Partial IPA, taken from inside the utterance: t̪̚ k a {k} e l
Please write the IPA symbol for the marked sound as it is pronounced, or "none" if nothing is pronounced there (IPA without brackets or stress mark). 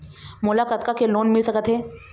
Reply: k